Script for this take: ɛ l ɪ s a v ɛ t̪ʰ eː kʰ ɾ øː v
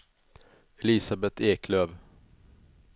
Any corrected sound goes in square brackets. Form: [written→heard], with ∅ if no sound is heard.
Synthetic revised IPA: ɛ l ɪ s a [v→b] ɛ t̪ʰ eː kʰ [ɾ→l] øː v